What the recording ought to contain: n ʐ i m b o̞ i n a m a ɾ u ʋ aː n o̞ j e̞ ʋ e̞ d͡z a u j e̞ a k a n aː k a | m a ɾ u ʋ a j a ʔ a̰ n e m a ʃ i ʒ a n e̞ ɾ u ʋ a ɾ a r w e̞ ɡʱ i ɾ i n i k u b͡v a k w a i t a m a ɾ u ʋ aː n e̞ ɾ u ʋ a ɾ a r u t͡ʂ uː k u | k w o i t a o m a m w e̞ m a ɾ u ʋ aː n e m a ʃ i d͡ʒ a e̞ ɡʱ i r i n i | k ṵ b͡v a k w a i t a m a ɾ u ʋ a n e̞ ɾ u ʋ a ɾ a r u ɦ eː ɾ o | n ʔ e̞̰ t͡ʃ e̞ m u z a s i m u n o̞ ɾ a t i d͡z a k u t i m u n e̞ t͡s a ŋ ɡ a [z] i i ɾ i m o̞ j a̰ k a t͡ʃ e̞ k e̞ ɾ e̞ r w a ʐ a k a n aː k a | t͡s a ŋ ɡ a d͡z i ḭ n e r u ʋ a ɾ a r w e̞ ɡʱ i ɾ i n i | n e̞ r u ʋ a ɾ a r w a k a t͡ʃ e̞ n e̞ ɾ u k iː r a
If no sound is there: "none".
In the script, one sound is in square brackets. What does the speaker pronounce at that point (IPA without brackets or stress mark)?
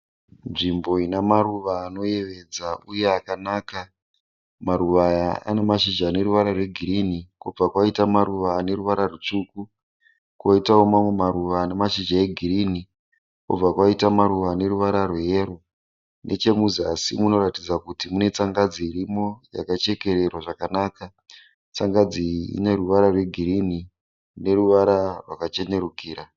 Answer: d͡z